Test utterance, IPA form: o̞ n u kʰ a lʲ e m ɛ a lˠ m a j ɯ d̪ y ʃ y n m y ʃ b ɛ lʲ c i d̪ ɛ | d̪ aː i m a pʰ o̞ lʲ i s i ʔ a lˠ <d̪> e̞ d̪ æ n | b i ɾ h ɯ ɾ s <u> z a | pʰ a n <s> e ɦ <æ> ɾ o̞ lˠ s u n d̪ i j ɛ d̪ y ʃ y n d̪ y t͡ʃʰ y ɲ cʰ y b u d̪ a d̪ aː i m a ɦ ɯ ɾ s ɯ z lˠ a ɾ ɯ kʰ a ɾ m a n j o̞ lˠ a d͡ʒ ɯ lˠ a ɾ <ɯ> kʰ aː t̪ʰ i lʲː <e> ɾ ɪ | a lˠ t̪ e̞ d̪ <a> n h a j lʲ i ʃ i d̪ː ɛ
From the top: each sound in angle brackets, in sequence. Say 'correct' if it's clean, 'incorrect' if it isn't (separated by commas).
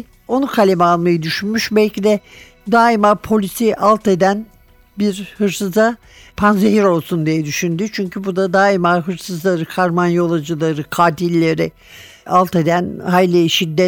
incorrect, incorrect, incorrect, incorrect, correct, correct, incorrect